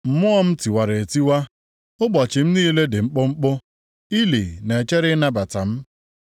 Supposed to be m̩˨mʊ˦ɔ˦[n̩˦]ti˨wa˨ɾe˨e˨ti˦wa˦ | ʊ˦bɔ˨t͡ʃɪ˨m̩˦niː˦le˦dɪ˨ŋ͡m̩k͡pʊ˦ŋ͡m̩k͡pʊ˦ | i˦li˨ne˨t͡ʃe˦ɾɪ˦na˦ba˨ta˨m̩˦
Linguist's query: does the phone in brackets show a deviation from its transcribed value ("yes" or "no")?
yes